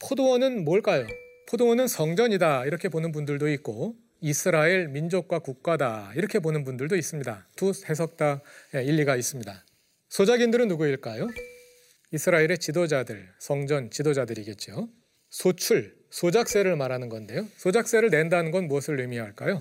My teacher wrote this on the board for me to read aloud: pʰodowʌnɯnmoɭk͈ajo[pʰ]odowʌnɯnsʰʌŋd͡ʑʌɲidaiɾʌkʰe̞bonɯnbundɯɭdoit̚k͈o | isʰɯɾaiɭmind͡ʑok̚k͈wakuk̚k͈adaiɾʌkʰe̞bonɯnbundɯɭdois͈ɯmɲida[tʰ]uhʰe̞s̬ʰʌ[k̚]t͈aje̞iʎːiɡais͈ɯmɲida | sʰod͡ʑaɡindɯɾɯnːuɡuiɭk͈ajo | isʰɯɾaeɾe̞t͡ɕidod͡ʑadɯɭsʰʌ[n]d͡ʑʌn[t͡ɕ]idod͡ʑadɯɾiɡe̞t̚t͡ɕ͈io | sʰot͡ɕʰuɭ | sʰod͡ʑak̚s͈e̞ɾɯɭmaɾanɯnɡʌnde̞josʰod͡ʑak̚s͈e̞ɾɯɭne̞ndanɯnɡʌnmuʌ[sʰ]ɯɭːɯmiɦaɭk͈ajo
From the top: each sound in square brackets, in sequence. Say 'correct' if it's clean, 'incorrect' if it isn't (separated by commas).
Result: correct, incorrect, correct, incorrect, correct, correct